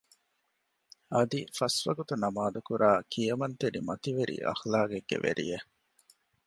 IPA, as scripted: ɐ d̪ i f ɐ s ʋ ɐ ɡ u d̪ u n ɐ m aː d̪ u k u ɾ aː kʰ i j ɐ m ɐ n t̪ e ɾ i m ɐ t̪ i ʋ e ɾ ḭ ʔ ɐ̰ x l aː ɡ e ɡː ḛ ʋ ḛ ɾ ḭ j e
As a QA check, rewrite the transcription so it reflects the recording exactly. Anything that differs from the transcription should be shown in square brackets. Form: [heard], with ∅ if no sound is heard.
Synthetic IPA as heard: ɐ d̪ i f ɐ s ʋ ɐ ɡ u [t̪] u n ɐ m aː d̪ u k u ɾ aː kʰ i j ɐ m ɐ n t̪ e ɾ i m ɐ t̪ i ʋ e ɾ ḭ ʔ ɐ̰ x l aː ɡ e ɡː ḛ ʋ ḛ ɾ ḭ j e